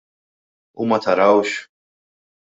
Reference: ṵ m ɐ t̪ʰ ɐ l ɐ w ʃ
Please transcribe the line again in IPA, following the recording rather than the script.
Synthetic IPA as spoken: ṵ m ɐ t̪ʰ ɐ ɾ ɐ w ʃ